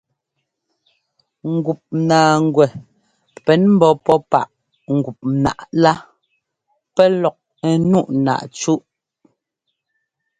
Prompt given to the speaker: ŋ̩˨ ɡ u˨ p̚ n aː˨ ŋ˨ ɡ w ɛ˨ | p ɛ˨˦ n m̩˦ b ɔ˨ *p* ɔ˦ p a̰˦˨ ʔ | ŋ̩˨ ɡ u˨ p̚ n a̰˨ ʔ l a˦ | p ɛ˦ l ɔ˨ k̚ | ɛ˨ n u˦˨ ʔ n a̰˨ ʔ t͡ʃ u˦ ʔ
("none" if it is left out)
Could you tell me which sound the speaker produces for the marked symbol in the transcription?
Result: p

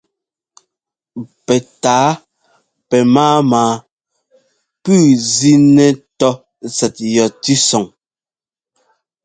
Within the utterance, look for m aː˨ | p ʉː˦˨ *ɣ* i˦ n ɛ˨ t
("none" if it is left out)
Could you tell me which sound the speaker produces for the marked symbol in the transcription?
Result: z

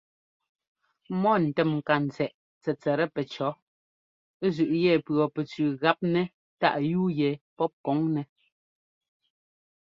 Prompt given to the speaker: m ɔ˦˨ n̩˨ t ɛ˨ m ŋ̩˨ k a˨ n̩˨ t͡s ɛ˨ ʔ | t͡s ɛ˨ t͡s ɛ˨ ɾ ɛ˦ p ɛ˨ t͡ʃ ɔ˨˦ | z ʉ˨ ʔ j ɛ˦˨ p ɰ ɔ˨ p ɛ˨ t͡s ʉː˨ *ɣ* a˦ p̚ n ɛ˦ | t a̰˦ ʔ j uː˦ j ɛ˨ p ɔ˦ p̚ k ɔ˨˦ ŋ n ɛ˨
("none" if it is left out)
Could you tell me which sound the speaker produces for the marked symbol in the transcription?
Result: ɣ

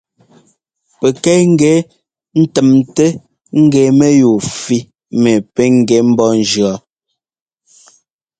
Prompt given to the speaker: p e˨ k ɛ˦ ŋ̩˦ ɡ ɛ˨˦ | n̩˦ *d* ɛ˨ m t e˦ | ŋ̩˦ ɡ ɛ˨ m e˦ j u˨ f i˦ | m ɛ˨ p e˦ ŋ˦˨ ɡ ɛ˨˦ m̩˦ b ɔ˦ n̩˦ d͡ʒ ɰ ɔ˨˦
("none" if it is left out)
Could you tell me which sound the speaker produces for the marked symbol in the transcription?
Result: t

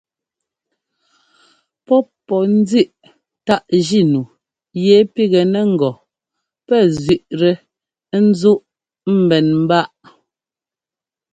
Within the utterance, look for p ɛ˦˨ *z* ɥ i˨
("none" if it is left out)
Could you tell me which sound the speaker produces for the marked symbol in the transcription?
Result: z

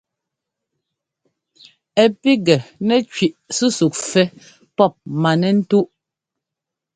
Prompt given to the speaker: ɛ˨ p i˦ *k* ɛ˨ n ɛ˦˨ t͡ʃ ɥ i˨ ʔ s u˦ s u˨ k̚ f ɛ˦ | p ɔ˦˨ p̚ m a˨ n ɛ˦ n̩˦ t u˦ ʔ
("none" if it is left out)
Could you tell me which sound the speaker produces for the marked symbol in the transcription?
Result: ɡ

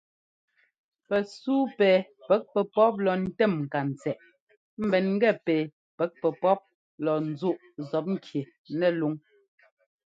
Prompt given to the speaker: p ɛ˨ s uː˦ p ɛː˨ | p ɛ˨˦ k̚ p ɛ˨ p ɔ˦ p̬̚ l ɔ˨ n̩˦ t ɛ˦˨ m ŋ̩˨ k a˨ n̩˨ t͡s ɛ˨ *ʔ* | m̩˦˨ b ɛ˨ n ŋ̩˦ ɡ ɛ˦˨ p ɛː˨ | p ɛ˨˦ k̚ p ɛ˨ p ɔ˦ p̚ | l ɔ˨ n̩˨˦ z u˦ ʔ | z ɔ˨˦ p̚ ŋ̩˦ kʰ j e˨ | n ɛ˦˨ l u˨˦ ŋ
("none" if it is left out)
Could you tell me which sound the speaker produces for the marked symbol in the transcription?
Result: ʔ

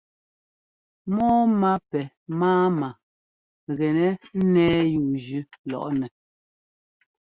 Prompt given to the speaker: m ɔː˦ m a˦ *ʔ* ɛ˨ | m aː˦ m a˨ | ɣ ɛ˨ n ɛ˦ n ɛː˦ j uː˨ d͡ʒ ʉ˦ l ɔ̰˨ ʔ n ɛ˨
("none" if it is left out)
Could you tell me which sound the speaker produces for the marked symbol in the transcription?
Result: p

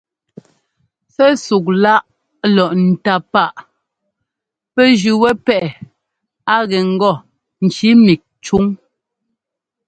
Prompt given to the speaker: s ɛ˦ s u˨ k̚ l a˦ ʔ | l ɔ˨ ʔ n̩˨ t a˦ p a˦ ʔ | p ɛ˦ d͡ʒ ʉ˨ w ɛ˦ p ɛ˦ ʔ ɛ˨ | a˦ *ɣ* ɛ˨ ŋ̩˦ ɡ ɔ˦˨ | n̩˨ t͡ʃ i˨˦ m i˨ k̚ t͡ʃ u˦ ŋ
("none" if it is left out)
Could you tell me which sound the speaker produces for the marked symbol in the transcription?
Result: ɣ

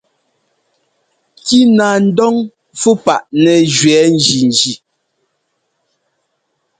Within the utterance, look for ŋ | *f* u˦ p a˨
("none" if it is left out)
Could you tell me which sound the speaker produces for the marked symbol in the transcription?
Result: f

